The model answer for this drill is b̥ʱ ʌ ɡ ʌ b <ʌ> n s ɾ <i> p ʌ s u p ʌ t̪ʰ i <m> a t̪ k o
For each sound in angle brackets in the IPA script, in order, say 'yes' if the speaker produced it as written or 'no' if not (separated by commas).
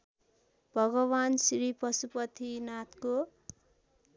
no, yes, no